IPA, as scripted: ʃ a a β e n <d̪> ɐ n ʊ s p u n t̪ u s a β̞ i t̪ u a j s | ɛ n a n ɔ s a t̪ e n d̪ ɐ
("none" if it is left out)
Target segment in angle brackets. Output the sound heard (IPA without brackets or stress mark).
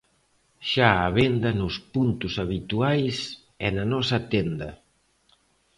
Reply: d̪